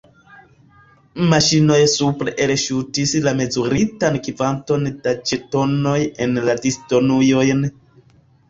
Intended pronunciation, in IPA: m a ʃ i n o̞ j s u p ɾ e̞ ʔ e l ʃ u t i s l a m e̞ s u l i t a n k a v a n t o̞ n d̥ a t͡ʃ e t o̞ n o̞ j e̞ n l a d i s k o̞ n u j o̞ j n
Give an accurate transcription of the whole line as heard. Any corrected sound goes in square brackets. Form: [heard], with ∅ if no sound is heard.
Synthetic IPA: m a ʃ i n o̞ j s u p ɾ e̞ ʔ e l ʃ u t i s l a m e̞ [z] u [ɾ] i t a n k [i] v a n t o̞ n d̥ a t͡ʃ e t o̞ n o̞ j e̞ n l a d i s [t] o̞ n u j o̞ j n

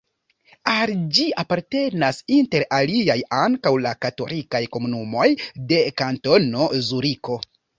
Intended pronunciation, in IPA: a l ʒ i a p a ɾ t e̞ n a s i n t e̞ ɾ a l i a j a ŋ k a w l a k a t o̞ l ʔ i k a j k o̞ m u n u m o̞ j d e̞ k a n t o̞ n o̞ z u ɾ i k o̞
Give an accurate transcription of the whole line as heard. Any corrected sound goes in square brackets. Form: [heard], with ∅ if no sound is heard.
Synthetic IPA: a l [d͡ʒ] i a p a ɾ t e̞ n a s i n t e̞ ɾ a l i a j a ŋ k a w l a k a t o̞ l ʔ i k a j k o̞ m u n u m o̞ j d e̞ k a n t o̞ n o̞ z u ɾ i k o̞

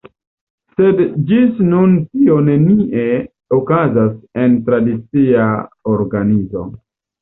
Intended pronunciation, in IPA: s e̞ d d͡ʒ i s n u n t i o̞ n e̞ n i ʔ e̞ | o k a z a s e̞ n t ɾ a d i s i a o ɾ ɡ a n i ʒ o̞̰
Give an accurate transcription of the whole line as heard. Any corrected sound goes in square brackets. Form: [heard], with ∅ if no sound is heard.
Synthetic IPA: s e̞ d d͡ʒ i s n u n t i o̞ n e̞ n i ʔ e̞ | o k a z a s e̞ n t ɾ a d i [t͡s] i a o ɾ ɡ a n i [z] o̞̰

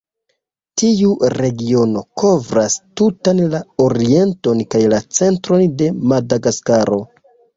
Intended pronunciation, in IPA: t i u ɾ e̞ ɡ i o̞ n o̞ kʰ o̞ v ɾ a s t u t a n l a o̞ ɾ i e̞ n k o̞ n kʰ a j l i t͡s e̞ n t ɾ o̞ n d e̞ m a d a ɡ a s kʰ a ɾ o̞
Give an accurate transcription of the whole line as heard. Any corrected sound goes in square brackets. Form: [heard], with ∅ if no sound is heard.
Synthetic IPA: t i u ɾ e̞ ɡ i o̞ n o̞ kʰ o̞ v ɾ a s t u t a n l a o̞ ɾ i e̞ n [t] o̞ n [k] a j l [a] t͡s e̞ n t ɾ o̞ n d e̞ m a d a ɡ a s [k] a ɾ o̞

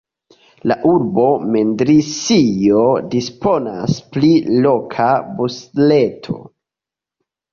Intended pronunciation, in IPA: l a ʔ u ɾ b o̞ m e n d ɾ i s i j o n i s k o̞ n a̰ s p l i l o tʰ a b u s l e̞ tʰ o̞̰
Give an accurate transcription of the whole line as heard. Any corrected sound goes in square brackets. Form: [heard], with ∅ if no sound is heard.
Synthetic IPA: l a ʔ u ɾ b o̞ m e n d ɾ i s i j o [d] i s [p] o̞ n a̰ s p l i l o [kʰ] a b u s l e̞ tʰ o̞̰

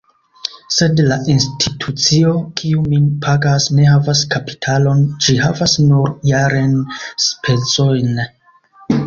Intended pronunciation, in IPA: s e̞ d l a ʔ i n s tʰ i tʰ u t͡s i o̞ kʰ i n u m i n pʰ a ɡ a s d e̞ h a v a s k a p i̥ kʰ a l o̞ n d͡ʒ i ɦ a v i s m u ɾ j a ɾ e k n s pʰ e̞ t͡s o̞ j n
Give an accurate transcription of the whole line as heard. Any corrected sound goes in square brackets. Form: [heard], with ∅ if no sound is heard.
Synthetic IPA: s e̞ d l a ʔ i n s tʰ i tʰ u t͡s i o̞ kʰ i [∅] u m i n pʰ a ɡ a s [n] e̞ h a v a s k a p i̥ [tʰ] a l o̞ n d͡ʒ i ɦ a v [a] s [n] u ɾ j a ɾ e [∅] n s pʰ e̞ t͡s o̞ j n

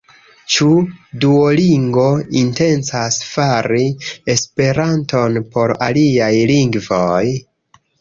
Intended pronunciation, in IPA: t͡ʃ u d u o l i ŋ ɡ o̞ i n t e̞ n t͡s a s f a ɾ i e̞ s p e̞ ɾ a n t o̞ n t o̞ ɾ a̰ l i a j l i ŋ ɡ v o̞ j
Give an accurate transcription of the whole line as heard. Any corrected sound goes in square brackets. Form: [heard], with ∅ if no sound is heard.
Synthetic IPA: t͡ʃ u d u o l i ŋ ɡ o̞ i n t e̞ n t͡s a s f a ɾ i e̞ s p e̞ ɾ a n t o̞ n [p] o̞ ɾ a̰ l i a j l i ŋ ɡ v o̞ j

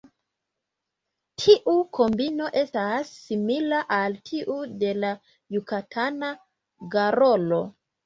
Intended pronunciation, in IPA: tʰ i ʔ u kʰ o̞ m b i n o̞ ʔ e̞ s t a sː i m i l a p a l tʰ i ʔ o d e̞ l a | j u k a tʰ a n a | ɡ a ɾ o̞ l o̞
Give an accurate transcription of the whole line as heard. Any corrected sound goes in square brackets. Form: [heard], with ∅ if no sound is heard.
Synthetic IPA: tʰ i ʔ u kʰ o̞ m b i n o̞ ʔ e̞ s t a sː i m i l a [ʔ] a l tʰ i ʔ [u] d e̞ l a | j u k a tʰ a n a | ɡ a ɾ o̞ l o̞

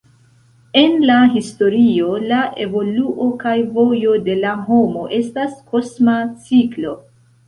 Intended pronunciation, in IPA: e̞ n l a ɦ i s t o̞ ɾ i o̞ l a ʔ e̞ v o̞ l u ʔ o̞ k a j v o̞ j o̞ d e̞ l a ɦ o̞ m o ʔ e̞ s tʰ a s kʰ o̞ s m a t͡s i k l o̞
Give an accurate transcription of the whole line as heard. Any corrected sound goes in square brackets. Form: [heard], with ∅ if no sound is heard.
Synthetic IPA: e̞ n l a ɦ i s t o̞ ɾ i o̞ l a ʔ e̞ v o̞ l u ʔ o̞ k a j v o̞ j o̞ d e̞ l a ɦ o̞ m o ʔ e̞ s [t] a s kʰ o̞ s m a t͡s i k l o̞

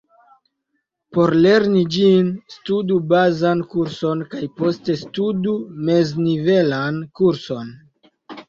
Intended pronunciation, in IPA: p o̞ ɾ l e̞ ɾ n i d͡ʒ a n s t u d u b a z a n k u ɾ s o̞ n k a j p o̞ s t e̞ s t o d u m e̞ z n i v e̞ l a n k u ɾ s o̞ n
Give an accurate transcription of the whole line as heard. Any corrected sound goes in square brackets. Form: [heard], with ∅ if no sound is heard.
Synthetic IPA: p o̞ ɾ l e̞ ɾ n i d͡ʒ [i] n s t u d u b a z a n k u ɾ s o̞ n k a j p o̞ s t e̞ s t [u] d u m e̞ z n i v e̞ l a n k u ɾ s o̞ n

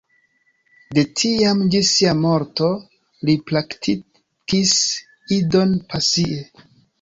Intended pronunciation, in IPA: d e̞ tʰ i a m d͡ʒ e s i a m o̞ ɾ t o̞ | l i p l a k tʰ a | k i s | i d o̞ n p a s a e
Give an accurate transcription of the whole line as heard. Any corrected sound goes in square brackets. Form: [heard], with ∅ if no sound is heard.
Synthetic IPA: d e̞ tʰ i a m d͡ʒ [i] s i a m o̞ ɾ t o̞ | l i p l a k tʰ [i] | k i s | i d o̞ n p a s [i] e

